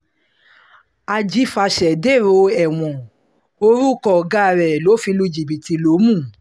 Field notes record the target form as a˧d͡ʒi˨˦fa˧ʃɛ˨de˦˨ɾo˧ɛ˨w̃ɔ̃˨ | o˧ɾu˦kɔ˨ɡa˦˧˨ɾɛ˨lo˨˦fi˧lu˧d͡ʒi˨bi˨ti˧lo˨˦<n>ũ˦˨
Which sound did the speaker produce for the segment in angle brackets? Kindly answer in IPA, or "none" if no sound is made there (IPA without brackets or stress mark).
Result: m